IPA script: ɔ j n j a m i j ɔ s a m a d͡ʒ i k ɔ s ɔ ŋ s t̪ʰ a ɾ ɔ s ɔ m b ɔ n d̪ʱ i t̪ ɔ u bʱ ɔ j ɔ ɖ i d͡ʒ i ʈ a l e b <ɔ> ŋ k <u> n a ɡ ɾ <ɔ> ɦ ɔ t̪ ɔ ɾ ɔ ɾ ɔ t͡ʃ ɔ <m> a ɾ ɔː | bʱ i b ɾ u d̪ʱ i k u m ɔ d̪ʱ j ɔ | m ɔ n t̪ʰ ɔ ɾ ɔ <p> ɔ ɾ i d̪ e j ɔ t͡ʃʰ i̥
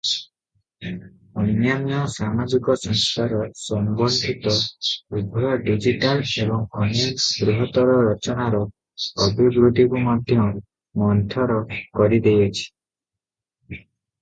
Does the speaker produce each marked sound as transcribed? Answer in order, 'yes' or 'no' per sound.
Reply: yes, no, no, no, no

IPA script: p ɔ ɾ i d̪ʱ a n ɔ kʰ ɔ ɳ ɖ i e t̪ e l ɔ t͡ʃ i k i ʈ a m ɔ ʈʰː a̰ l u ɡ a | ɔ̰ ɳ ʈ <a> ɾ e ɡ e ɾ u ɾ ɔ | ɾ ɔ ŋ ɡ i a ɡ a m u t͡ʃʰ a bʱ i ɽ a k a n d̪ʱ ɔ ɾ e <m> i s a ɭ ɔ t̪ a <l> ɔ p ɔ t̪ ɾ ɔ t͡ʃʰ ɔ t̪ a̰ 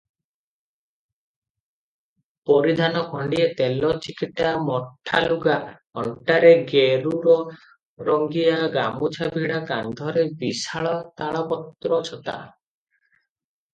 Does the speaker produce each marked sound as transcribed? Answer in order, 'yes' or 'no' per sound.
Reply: yes, no, no

